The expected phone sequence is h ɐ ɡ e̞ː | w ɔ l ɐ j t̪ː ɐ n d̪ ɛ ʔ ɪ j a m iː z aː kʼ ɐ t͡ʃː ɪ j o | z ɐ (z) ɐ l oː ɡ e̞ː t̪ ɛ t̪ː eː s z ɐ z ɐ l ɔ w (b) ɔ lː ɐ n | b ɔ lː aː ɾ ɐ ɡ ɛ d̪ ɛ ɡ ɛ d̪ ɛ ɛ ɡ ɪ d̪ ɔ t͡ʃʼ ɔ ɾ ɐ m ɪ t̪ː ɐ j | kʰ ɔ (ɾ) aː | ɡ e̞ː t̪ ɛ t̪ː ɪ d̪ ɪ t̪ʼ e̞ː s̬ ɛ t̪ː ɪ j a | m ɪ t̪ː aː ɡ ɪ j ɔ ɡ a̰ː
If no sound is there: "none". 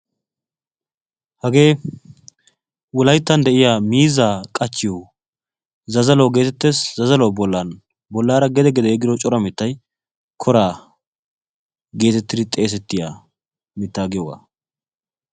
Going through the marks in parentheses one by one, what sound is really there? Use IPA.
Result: z, b, ɾ

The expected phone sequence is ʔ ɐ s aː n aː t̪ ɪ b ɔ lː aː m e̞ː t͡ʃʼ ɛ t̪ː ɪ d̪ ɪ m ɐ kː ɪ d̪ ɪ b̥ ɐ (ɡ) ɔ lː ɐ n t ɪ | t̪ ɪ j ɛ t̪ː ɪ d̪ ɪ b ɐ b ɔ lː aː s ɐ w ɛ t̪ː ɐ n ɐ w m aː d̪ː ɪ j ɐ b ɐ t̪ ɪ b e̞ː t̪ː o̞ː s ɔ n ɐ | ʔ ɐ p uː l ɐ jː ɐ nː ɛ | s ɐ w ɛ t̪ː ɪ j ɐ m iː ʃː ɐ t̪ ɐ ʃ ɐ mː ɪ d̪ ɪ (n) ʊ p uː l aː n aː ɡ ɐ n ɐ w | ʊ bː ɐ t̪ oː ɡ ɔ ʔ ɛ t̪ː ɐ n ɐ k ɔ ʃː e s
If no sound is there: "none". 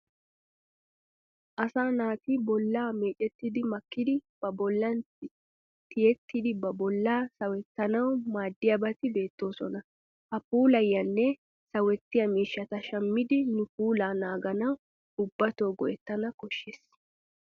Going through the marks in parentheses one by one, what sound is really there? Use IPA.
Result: b, n

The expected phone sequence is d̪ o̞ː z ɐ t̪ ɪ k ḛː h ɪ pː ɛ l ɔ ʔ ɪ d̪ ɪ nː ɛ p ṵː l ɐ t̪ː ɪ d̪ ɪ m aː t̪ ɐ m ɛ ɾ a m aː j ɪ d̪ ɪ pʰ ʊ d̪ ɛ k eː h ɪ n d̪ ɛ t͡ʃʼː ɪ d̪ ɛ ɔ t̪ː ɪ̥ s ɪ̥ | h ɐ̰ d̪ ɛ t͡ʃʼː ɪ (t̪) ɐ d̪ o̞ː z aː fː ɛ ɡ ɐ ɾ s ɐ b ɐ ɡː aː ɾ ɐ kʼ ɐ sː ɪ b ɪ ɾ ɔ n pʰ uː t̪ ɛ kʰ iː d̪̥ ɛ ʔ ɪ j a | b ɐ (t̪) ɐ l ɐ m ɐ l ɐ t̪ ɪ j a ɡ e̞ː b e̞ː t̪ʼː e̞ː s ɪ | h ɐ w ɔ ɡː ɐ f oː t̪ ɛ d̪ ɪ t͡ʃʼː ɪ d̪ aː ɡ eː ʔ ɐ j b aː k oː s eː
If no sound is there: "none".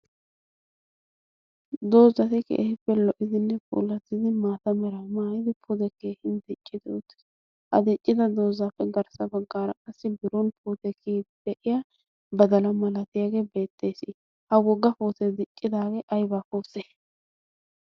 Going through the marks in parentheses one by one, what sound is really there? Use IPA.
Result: d̪, d̪

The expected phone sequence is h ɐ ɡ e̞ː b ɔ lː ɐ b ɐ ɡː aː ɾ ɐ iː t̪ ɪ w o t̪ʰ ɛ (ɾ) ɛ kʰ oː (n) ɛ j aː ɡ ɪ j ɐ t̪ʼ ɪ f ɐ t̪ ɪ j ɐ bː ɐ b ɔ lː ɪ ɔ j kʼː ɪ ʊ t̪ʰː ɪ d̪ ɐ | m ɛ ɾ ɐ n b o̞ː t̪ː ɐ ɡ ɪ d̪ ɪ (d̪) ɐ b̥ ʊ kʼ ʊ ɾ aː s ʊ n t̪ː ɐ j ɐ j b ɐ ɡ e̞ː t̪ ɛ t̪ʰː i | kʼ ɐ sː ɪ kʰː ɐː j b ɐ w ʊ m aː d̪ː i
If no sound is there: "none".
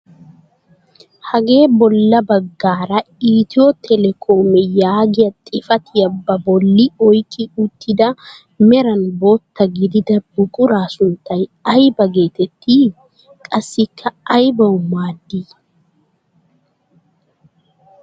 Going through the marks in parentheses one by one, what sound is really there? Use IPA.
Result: l, m, d̪

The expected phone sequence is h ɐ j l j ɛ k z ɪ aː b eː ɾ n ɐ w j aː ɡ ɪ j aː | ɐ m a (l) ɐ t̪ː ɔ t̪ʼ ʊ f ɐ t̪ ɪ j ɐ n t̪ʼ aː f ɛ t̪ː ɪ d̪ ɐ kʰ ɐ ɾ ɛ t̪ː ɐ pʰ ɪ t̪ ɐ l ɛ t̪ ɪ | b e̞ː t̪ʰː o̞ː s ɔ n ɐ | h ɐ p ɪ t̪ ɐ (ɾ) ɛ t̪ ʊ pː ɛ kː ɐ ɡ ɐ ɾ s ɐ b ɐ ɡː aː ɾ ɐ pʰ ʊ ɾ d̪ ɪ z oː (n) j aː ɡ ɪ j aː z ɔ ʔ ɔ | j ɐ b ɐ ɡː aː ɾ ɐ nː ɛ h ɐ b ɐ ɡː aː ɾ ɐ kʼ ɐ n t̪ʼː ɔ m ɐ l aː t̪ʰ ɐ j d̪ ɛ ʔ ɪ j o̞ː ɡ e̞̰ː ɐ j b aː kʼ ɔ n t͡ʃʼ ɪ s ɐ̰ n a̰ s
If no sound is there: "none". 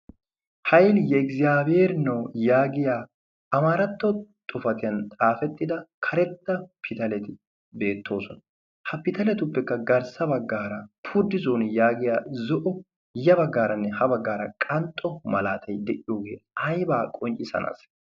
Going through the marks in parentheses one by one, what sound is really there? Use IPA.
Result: ɾ, l, n

